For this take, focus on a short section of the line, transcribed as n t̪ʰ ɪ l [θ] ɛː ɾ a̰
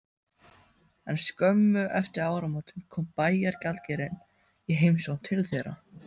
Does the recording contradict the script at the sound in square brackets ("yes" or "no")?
no